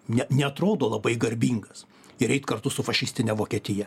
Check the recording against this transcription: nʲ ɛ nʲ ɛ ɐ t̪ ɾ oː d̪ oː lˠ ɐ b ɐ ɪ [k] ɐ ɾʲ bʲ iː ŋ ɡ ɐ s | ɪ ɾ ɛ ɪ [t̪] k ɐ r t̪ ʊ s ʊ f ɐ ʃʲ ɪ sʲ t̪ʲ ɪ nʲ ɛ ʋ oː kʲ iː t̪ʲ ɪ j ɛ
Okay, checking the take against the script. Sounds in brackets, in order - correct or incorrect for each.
incorrect: ɡ, correct

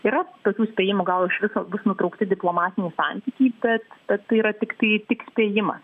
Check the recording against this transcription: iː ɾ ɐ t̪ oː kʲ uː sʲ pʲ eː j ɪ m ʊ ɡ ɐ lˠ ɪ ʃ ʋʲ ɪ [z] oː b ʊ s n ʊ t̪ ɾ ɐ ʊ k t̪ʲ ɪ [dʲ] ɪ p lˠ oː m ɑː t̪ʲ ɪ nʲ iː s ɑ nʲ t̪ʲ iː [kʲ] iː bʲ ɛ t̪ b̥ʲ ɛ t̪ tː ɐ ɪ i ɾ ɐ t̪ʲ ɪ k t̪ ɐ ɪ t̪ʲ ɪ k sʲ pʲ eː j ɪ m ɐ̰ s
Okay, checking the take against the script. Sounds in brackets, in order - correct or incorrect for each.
incorrect: s, correct, correct

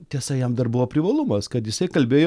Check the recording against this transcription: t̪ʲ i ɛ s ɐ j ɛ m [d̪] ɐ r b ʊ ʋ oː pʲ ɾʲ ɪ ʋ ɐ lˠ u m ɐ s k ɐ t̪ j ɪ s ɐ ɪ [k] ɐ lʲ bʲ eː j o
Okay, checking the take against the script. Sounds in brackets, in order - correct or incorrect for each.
correct, correct

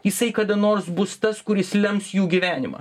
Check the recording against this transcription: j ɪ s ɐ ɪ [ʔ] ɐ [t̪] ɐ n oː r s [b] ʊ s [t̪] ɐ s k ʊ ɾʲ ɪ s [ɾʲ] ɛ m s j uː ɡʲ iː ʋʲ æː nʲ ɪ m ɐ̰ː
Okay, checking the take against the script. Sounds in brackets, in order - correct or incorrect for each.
incorrect: k, incorrect: d̪, correct, correct, incorrect: lʲ

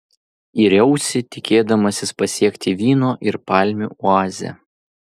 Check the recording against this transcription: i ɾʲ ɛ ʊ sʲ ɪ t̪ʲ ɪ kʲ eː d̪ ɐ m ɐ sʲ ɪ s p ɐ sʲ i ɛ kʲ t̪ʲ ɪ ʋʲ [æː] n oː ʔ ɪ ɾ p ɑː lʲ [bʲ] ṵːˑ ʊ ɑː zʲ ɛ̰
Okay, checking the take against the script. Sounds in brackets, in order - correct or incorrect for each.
incorrect: iː, incorrect: mʲ

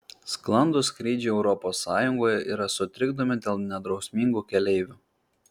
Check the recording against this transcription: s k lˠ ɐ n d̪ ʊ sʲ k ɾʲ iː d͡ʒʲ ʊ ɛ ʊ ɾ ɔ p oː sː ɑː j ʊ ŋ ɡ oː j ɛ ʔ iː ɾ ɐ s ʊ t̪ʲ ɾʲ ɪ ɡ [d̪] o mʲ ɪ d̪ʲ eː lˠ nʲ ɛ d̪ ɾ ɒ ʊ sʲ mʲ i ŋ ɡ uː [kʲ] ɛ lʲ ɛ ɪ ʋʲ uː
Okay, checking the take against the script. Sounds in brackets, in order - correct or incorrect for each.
correct, correct

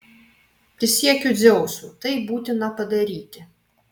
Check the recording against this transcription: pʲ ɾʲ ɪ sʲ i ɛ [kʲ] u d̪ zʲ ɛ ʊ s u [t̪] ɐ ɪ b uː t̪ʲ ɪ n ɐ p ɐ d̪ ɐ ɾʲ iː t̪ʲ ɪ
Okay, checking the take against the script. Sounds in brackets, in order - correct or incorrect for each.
correct, correct

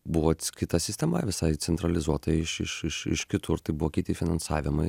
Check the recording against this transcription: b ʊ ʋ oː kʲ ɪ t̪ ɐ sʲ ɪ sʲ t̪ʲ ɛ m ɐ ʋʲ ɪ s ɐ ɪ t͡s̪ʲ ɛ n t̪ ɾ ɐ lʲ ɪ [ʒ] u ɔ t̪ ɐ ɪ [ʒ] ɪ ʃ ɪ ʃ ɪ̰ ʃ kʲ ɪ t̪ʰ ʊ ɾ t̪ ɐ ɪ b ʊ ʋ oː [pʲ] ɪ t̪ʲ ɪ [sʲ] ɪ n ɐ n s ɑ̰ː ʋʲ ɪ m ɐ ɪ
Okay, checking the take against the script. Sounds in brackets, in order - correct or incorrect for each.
incorrect: z, incorrect: ʃ, incorrect: kʲ, incorrect: fʲ

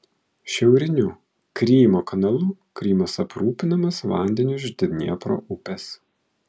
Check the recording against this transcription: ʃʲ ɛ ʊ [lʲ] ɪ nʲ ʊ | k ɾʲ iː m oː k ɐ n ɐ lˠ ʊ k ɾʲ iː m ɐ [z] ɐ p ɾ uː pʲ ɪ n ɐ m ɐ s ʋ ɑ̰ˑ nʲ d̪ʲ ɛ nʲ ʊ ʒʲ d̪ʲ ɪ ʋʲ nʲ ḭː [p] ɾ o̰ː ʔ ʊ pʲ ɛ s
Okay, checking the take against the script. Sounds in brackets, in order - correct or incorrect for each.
incorrect: ɾʲ, incorrect: s, correct

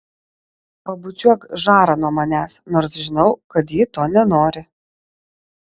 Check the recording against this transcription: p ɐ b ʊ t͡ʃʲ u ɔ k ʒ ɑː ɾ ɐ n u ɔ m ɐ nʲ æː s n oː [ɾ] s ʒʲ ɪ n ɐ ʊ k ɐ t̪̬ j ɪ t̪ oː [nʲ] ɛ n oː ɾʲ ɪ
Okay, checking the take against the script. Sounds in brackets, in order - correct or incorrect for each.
correct, correct

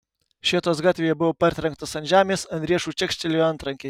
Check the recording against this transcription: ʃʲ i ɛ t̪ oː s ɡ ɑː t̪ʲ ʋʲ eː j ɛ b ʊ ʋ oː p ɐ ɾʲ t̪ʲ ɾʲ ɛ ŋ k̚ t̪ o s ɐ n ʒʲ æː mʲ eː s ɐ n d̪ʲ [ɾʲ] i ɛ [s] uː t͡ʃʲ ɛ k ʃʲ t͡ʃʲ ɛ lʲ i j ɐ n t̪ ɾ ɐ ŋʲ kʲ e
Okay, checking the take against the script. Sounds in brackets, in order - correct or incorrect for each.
correct, incorrect: ʃ

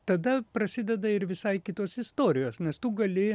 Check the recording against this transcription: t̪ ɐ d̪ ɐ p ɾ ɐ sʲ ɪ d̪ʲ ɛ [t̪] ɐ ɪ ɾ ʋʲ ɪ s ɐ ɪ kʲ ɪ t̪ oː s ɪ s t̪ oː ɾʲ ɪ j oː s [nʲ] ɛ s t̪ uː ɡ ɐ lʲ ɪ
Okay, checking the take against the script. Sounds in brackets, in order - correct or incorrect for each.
incorrect: d̪, correct

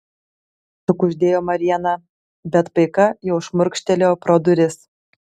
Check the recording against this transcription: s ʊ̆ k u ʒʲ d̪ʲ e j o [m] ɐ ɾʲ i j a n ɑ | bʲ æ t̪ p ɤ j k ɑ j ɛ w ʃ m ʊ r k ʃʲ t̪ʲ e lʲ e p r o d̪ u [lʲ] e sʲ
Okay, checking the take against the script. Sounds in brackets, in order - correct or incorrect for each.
correct, incorrect: ɾʲ

